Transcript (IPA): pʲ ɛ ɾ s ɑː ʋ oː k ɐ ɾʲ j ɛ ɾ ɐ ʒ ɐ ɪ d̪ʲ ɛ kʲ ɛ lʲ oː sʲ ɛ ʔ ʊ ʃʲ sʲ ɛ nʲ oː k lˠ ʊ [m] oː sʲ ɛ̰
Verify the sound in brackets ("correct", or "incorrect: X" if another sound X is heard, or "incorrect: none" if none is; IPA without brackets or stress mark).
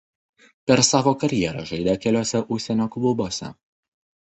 incorrect: b